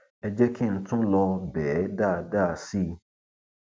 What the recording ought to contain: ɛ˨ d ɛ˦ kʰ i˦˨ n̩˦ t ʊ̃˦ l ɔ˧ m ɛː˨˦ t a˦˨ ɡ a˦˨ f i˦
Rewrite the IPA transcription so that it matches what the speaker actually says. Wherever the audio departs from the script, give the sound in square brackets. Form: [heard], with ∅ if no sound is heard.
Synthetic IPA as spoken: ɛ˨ [d͡ʒ] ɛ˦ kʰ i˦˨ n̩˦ t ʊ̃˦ l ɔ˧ [b] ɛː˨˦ [d] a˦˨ [d] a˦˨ [s] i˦